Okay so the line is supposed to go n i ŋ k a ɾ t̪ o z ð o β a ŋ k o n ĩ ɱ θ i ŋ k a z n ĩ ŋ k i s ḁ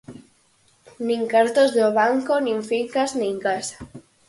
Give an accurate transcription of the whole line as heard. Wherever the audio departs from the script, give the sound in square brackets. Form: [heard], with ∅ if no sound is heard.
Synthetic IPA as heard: n i ŋ k a ɾ t̪ o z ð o β a ŋ k o n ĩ ɱ [f] i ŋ k a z n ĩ ŋ k [a] s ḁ